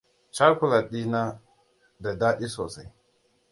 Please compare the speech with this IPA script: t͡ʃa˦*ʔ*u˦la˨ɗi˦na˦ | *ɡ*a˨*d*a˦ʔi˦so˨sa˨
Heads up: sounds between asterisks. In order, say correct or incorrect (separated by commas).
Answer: incorrect, incorrect, correct